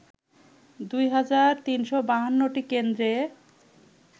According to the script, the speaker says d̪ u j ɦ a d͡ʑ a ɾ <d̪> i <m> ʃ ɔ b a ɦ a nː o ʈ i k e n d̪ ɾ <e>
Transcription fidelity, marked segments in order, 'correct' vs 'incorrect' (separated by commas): incorrect, incorrect, correct